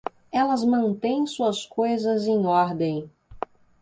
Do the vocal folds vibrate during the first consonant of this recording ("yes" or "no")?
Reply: yes